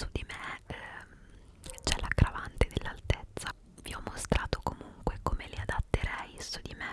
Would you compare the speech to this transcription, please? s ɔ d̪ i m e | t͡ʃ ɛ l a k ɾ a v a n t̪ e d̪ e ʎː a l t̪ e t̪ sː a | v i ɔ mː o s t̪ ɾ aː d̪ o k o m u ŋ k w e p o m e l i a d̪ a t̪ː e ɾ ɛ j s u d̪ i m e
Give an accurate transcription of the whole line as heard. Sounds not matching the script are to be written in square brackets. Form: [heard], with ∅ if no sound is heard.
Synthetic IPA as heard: s [u] d̪ i m e | t͡ʃ ɛ l a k ɾ a v a n t̪ e d̪ e [lː] a l t̪ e t̪ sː a | v i ɔ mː o s t̪ ɾ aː [t̪] o k o m u ŋ k w e [k] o m e l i a d̪ a t̪ː e ɾ ɛ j s u d̪ i m e